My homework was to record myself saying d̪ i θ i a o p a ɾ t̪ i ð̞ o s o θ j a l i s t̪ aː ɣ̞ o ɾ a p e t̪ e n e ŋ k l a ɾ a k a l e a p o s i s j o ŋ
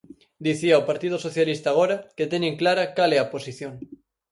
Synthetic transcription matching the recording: d̪ i θ i a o p a ɾ t̪ i ð̞ o s o θ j a l i s t̪ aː ɣ̞ o ɾ a k e t̪ e n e ŋ k l a ɾ a k a l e a p o s i θ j o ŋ